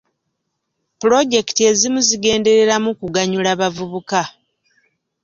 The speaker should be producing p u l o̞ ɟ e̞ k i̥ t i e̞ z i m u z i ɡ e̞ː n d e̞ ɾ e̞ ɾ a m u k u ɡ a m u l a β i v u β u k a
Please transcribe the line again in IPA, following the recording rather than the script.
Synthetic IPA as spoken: p u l o̞ ɟ e̞ k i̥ t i e̞ z i m u z i ɡ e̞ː n d e̞ ɾ e̞ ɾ a m u k u ɡ a ɲ u l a β a v u β u k a